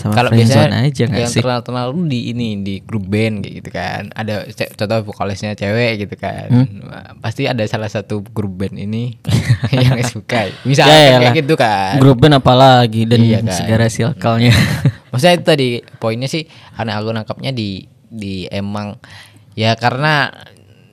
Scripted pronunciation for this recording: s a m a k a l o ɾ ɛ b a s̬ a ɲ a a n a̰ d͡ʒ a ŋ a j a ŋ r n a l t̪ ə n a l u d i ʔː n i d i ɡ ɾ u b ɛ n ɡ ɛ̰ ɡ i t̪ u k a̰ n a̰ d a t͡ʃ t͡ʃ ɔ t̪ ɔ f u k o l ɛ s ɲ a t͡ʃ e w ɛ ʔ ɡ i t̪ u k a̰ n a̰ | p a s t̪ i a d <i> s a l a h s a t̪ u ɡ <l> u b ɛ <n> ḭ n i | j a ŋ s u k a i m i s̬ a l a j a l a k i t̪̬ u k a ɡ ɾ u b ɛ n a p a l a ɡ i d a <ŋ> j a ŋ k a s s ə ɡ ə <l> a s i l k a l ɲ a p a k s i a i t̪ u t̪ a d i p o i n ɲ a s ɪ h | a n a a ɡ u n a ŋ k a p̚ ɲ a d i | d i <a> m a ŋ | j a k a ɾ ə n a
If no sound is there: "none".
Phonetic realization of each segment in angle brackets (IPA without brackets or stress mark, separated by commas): a, ɾ, n, n, ɾ, e